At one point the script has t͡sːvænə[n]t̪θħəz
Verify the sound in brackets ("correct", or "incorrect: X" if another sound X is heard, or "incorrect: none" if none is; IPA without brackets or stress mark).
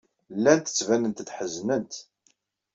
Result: correct